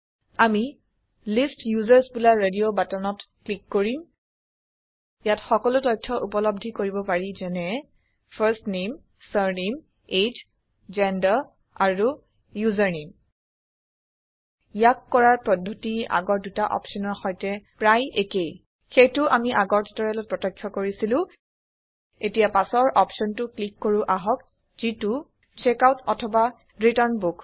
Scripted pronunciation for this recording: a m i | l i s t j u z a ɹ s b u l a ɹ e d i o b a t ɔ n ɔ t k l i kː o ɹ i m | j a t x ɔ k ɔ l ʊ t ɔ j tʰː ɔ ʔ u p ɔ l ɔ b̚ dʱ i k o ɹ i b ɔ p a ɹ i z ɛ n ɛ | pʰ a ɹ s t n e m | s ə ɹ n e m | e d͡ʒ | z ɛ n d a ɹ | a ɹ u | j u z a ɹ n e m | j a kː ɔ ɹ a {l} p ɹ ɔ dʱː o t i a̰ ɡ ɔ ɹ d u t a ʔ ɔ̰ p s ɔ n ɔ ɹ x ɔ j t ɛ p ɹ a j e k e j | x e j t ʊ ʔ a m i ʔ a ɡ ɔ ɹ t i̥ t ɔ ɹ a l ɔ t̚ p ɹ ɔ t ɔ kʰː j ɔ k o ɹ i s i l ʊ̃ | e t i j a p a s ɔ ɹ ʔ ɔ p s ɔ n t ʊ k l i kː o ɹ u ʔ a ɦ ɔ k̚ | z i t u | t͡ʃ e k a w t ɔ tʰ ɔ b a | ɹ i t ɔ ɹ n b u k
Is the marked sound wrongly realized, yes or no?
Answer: yes